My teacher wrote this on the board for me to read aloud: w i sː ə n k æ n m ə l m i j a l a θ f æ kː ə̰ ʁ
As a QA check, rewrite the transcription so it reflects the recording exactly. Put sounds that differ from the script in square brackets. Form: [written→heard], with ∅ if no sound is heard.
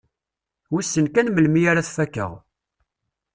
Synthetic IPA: w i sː ə n k æ n m ə l m i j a [l→ɾ] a θ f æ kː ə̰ ʁ